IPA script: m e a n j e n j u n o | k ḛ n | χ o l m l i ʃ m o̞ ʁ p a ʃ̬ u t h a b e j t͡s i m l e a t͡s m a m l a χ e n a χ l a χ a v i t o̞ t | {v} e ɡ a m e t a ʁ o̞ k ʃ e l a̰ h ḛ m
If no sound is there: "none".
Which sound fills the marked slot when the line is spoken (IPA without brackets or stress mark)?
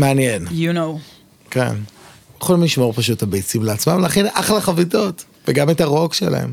v